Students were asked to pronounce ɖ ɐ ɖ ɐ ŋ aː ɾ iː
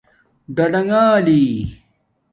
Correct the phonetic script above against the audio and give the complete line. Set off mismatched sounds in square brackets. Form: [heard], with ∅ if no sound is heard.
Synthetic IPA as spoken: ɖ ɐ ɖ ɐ ŋ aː [l] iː

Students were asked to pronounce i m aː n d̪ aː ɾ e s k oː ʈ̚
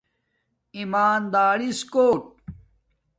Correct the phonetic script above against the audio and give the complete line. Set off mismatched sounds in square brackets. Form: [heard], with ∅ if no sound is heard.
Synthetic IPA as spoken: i m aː n d̪ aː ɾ [i] s k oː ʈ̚

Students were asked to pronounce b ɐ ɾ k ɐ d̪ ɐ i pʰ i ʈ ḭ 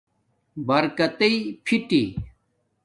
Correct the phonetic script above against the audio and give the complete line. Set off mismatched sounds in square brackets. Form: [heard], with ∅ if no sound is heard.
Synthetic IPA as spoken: b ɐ ɾ k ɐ [t̪] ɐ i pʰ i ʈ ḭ

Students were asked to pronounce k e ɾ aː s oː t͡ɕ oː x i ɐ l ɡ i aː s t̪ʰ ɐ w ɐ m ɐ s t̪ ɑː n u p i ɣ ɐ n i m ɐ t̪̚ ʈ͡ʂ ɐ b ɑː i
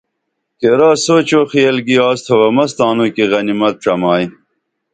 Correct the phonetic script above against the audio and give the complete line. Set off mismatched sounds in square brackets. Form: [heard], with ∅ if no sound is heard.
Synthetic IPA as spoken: k e ɾ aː s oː t͡ɕ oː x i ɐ l ɡ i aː s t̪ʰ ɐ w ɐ m ɐ s t̪ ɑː n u [k] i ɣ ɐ n i m ɐ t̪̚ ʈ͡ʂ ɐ [m] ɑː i

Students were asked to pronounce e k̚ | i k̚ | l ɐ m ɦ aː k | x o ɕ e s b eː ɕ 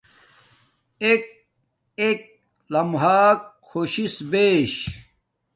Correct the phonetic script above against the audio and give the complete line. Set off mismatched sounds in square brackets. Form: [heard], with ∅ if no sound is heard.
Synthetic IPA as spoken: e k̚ | [e] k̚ | l ɐ m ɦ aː k | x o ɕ [i] s b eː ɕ

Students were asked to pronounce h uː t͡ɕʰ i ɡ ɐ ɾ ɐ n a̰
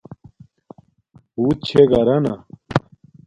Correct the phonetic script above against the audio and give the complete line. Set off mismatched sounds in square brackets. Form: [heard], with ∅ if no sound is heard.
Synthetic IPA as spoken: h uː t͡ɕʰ [e] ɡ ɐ ɾ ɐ n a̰

